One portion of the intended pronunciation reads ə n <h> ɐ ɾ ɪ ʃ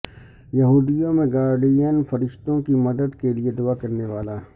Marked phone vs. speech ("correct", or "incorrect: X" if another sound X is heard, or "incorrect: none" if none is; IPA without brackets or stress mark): incorrect: f